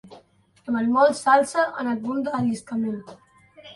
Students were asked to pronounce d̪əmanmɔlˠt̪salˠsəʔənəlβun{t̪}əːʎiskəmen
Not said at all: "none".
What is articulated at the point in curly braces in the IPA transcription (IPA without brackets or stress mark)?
d̪